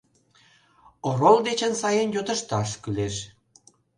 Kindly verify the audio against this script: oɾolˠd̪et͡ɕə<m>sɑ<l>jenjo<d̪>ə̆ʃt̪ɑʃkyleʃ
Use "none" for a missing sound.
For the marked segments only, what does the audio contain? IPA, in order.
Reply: n, none, t̪

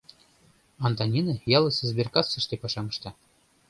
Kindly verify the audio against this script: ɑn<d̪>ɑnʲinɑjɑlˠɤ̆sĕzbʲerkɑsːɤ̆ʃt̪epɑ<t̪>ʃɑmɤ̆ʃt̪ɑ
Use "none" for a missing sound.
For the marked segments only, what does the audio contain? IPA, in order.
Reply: t̪, none

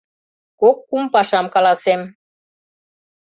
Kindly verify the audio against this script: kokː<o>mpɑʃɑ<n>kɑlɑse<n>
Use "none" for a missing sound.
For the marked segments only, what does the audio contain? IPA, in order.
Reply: u, m, m

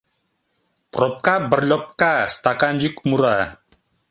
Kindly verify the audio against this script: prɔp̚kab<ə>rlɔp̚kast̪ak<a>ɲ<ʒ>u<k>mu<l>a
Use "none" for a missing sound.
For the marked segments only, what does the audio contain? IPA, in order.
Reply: ə, a, d͡ʒ, k, ɾ

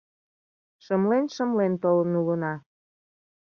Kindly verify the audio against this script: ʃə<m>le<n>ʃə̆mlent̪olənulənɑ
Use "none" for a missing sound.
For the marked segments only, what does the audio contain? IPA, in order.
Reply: m, n

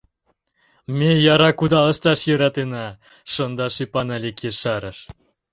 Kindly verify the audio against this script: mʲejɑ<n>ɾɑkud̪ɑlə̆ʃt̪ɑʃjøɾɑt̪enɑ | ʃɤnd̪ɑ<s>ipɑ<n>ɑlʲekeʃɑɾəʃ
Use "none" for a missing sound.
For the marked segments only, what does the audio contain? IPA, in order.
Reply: none, ʃ, n

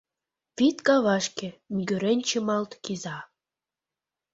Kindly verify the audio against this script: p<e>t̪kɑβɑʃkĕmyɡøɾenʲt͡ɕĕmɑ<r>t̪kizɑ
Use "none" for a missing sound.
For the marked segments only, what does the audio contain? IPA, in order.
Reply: i, l

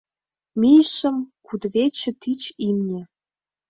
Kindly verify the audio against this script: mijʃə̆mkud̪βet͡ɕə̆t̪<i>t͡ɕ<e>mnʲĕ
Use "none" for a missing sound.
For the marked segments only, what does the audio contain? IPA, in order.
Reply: i, i

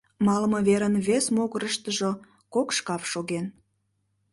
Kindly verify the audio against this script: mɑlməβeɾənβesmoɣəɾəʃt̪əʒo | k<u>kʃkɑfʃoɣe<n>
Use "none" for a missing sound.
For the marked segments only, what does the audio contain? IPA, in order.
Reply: o, n

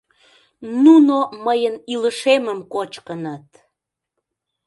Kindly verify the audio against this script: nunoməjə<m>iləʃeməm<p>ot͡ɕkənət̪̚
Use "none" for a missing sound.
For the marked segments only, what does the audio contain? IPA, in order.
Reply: n, k

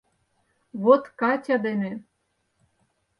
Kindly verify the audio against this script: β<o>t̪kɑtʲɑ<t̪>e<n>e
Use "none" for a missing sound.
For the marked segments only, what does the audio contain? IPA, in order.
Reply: o, d̪, n

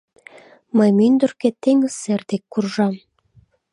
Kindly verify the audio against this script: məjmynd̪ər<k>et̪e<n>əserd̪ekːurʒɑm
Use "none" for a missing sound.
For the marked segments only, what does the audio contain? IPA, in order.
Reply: k, ŋ

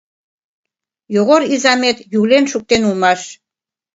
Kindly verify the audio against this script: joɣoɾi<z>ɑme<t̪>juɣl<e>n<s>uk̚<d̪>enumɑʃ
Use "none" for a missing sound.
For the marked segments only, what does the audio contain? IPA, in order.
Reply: z, t̪, e, ʃ, t̪

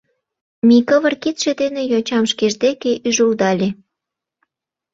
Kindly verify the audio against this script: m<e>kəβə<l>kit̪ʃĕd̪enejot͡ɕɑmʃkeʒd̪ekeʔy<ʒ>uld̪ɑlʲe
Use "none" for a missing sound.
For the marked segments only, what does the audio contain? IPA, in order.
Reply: i, r, ʒ

